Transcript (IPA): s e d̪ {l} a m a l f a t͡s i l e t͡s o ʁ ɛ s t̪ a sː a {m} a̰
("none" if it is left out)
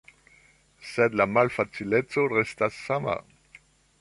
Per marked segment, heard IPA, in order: l, m

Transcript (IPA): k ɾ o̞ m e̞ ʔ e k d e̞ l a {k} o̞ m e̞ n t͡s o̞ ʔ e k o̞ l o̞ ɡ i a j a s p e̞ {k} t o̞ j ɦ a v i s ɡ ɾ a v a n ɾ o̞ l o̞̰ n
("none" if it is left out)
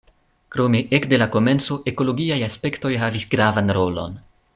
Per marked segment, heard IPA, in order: k, k

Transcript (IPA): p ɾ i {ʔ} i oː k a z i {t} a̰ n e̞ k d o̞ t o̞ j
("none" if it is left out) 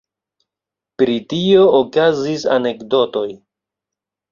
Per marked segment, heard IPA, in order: t, s

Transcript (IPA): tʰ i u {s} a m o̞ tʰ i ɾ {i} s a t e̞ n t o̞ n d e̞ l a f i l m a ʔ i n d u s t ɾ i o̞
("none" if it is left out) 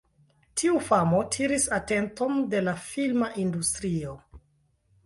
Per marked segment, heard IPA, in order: f, i

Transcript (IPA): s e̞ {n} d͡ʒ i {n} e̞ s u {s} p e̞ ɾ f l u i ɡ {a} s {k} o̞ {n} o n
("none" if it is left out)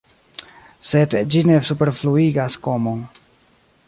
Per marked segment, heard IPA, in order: d, n, none, a, k, m

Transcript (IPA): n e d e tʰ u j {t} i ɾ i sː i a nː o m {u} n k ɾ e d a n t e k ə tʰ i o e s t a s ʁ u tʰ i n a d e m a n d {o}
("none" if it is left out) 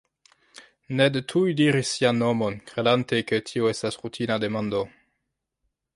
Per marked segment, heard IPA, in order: d, o, o

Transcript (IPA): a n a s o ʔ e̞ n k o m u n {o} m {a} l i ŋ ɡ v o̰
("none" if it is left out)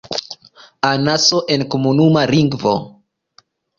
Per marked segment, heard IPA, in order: u, a

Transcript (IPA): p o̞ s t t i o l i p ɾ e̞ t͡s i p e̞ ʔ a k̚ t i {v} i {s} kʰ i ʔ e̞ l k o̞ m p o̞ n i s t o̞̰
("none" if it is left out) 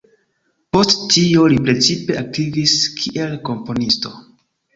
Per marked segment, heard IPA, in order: v, s

